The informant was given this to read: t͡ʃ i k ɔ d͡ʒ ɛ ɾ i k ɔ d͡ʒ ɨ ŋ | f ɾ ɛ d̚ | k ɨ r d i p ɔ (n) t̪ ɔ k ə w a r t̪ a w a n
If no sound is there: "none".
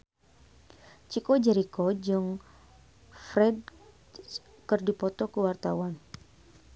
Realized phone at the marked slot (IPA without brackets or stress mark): none